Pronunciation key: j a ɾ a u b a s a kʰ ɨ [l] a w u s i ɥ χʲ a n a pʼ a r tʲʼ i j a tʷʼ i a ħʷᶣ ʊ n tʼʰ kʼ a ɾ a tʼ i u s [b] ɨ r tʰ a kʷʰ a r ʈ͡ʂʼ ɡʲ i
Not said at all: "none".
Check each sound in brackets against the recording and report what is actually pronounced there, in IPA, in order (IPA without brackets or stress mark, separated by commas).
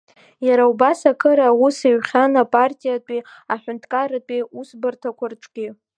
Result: ɾ, b